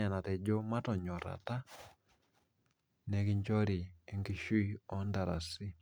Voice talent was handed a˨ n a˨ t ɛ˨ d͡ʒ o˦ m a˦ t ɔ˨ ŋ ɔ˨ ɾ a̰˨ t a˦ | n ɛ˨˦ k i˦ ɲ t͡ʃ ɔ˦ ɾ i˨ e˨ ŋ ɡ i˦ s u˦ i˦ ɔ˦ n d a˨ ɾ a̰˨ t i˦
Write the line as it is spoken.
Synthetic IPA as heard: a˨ n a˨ t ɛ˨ d͡ʒ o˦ m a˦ t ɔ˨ ɲ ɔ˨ ɾ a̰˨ t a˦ | n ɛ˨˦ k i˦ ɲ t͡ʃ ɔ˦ ɾ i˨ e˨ ŋ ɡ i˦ ʃ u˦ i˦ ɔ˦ n d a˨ ɾ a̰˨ s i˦